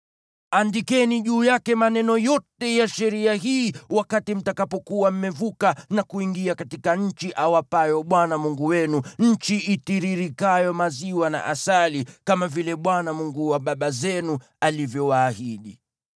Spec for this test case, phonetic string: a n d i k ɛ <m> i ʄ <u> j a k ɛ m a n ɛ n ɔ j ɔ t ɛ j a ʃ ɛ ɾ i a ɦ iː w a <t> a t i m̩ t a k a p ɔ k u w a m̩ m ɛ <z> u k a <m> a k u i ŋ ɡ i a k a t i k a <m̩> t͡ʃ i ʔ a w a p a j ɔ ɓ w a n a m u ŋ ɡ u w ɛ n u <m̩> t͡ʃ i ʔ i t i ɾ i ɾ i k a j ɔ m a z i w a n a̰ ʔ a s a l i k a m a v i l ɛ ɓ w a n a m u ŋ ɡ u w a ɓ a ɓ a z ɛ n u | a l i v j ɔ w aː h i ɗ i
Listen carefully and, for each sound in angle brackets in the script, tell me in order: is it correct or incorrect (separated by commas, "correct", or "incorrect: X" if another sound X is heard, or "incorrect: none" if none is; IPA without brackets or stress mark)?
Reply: incorrect: n, incorrect: uː, incorrect: k, incorrect: v, incorrect: n, incorrect: ɲ̩, incorrect: ɲ̩